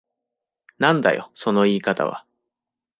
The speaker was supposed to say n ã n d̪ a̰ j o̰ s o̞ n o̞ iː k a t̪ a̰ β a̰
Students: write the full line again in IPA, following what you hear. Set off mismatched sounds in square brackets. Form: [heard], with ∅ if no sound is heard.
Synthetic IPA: n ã n d̪ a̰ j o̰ s o̞ n o̞ iː k a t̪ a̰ β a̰